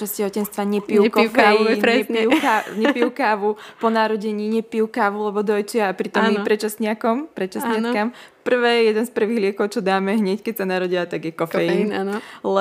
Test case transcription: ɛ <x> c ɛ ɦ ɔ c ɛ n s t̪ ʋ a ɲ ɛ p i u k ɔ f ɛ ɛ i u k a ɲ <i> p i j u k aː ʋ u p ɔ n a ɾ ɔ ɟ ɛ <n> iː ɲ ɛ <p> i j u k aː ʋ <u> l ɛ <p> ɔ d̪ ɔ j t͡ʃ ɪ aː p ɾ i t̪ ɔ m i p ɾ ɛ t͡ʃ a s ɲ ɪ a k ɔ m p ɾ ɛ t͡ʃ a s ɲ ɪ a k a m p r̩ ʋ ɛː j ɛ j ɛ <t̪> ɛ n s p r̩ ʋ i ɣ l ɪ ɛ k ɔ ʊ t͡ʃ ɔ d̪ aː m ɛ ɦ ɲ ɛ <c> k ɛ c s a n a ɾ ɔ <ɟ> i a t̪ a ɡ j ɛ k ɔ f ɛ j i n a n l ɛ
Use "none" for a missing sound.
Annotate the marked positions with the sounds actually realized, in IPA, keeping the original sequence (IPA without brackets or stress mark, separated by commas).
s, ɛ, ɲ, p, u, b, d̪, c, ɟ